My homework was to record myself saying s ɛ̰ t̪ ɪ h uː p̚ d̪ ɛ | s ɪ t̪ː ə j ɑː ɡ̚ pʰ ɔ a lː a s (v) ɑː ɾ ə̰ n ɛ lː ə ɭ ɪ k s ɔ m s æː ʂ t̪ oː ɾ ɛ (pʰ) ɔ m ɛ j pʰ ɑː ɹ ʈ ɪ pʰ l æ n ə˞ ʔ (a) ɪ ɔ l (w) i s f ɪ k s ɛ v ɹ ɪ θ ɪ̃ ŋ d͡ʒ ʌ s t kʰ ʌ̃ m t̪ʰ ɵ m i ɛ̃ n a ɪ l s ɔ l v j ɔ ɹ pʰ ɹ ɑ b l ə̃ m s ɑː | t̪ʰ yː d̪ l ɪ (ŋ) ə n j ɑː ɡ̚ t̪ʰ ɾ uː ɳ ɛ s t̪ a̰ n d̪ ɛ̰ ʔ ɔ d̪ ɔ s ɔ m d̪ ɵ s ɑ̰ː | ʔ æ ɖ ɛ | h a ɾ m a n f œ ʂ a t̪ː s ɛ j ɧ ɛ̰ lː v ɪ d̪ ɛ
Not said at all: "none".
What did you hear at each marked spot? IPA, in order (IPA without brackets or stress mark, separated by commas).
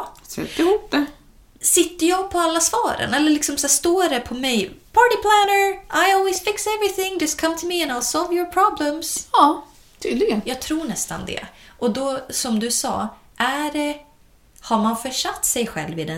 v, pʰ, a, w, ɡ